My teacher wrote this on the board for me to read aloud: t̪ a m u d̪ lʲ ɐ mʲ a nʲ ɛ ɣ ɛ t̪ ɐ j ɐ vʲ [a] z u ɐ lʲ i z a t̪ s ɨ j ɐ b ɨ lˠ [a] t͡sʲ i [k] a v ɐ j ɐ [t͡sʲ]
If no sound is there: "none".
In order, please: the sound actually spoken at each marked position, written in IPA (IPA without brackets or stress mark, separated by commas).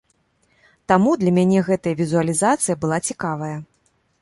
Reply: i, a, k, none